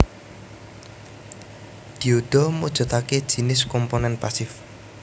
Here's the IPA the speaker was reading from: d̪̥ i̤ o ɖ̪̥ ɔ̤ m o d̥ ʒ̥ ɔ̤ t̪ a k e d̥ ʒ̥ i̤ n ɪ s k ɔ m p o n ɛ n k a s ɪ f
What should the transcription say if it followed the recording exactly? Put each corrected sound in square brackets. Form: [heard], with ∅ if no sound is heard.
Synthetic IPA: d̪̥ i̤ o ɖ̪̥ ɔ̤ m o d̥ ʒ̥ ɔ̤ t̪ a k e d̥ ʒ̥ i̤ n ɪ s k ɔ m p o n ɛ n [p] a s ɪ f